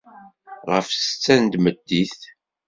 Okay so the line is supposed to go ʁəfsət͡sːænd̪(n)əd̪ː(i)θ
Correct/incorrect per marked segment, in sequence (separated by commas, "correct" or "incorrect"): incorrect, correct